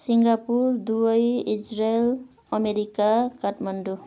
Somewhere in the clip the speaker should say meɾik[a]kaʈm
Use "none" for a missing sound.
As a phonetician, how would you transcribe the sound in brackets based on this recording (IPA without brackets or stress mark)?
a